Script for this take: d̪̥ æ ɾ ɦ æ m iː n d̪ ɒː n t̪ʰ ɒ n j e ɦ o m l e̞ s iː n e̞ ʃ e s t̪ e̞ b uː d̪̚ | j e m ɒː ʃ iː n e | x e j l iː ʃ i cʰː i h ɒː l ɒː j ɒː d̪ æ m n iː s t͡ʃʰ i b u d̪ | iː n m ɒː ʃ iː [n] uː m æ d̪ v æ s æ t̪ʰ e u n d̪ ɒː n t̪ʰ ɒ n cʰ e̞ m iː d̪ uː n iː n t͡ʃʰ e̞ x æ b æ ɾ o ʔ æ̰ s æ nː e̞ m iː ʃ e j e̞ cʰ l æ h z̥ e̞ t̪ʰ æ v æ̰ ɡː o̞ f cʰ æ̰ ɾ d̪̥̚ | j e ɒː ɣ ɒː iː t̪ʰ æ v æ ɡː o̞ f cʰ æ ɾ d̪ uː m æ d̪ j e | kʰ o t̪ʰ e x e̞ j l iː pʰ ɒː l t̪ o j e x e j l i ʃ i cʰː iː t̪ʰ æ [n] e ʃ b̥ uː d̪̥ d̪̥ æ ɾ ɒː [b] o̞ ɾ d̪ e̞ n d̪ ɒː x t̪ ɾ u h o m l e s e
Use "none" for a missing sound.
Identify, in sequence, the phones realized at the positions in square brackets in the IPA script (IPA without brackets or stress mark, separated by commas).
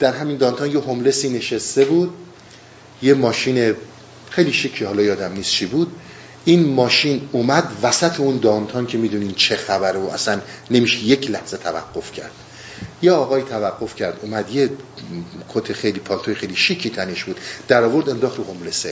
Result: n, n, v